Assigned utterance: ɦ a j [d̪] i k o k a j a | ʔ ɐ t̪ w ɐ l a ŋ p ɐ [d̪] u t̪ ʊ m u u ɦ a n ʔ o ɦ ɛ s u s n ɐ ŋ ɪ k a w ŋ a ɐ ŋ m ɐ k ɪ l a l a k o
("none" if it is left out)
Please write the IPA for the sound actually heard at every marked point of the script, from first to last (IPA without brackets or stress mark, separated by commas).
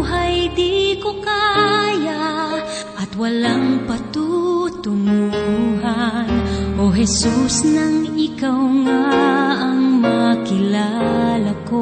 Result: d̪, t̪